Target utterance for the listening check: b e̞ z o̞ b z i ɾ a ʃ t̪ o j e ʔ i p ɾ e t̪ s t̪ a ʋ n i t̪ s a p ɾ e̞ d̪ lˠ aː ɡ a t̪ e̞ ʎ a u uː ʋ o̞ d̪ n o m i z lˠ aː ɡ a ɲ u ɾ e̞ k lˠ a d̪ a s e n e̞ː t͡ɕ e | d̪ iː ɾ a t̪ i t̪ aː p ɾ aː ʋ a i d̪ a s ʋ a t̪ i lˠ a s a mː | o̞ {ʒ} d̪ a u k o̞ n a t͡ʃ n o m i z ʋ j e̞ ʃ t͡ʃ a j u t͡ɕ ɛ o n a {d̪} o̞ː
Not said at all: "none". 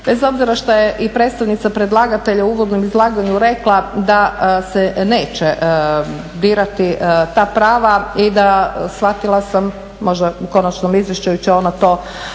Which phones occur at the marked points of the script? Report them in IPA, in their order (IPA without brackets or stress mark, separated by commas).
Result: ʒ, t̪